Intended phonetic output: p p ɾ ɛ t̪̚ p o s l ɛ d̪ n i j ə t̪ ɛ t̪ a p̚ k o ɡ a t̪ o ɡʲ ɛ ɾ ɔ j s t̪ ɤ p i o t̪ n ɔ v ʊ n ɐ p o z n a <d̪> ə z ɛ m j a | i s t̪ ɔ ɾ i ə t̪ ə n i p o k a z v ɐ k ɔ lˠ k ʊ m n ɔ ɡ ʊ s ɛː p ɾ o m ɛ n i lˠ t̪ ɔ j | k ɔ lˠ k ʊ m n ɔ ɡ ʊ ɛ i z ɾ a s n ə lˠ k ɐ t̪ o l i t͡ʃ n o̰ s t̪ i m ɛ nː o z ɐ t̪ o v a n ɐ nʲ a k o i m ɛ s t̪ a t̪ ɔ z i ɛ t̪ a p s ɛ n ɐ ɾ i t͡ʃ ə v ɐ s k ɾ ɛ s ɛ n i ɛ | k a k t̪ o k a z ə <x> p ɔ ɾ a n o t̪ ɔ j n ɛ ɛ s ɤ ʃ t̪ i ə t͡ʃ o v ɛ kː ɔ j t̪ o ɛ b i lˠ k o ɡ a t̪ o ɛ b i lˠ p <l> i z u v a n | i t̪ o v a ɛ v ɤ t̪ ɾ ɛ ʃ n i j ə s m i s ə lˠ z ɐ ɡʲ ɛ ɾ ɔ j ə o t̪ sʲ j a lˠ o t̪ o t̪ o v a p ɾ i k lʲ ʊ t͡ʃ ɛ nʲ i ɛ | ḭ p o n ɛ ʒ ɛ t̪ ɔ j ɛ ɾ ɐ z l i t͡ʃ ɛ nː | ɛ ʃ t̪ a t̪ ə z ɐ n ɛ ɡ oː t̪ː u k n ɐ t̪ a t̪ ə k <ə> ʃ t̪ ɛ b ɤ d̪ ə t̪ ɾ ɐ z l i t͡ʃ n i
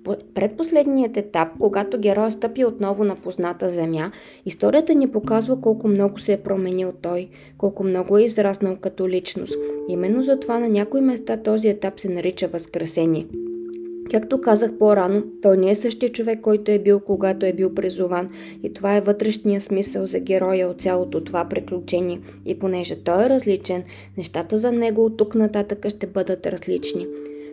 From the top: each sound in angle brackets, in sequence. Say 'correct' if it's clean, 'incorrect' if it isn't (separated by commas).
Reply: incorrect, correct, incorrect, correct